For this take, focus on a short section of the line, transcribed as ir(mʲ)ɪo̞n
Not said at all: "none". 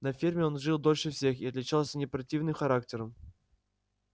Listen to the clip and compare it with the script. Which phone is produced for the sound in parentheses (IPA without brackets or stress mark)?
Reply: mʲ